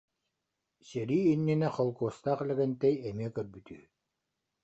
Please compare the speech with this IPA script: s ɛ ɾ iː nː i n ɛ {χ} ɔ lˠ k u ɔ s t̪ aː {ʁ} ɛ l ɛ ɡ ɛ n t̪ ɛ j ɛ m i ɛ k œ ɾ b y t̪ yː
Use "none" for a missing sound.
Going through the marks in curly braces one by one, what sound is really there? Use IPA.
χ, χ

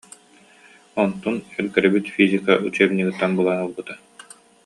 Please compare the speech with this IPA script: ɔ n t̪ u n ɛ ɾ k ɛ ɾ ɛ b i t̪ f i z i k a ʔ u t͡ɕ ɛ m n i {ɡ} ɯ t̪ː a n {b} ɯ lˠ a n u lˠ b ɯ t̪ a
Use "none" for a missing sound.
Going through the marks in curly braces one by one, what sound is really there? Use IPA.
ɡ, b

